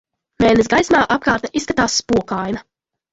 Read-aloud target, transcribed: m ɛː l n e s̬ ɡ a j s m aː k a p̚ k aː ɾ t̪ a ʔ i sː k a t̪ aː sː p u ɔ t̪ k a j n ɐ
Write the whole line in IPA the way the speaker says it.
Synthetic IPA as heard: m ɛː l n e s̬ ɡ a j s m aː ʔ a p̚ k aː ɾ t̪ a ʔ i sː k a t̪ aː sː p u ɔ k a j n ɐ